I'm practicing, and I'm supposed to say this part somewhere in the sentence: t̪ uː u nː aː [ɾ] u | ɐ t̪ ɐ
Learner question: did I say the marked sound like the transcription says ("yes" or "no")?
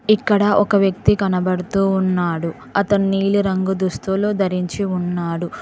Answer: no